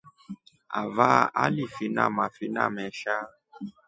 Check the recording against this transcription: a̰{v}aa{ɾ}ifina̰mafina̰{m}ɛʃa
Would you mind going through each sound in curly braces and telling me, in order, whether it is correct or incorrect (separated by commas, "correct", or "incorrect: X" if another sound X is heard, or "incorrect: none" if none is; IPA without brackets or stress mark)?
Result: correct, incorrect: l, correct